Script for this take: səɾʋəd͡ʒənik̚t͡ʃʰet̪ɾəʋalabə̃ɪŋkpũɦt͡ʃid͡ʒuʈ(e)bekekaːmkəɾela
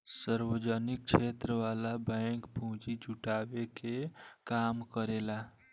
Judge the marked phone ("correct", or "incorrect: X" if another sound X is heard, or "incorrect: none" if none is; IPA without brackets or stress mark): incorrect: a